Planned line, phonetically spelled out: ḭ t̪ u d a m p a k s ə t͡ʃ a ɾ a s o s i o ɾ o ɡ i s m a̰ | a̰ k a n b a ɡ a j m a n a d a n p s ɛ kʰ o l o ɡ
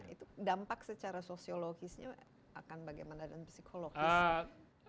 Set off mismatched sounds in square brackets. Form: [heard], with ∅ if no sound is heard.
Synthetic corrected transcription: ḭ t̪ u d a m p a k s ə t͡ʃ a ɾ a s o s i o [l] o ɡ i s [ɲ] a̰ | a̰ k a n b a ɡ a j m a n a d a n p s [i] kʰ o l o ɡ